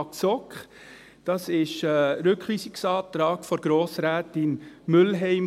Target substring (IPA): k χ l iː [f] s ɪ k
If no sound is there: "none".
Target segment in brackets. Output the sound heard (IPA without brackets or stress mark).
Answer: none